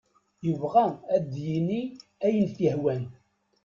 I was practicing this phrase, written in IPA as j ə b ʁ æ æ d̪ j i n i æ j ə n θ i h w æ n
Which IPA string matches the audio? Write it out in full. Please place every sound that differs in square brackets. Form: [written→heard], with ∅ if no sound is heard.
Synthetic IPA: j ə [b→v] ʁ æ æ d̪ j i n i æ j ə n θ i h w æ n